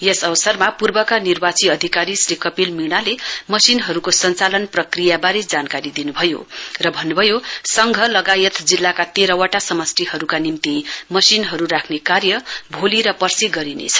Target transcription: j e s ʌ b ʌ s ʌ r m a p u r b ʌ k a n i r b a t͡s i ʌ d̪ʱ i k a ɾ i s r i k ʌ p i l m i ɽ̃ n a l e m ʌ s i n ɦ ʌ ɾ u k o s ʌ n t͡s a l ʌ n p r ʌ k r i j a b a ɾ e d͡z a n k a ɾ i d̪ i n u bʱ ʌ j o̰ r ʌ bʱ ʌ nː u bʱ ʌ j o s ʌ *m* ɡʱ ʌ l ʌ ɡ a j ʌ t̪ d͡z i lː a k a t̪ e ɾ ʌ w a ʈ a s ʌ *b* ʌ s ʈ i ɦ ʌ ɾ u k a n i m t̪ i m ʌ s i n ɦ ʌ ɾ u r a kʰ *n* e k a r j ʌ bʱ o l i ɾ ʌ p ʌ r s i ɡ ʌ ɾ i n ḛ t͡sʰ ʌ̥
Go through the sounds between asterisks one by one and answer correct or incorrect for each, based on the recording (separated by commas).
incorrect, incorrect, correct